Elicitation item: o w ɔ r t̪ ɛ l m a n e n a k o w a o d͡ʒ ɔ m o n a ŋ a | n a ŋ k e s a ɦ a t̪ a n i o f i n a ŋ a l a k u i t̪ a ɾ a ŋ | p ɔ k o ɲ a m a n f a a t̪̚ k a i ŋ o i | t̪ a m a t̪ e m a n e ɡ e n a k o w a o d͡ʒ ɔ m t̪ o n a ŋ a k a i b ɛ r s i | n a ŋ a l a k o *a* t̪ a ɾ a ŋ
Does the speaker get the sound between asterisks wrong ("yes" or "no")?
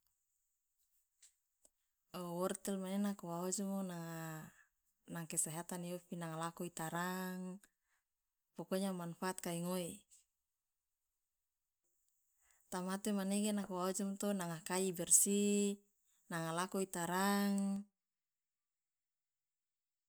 yes